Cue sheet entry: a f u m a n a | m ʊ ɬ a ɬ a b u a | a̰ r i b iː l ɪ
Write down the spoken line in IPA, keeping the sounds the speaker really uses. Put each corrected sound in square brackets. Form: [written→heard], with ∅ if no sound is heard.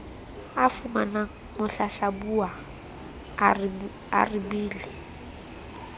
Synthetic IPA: a f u m a n a | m ʊ ɬ a ɬ a b u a | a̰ r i b iː l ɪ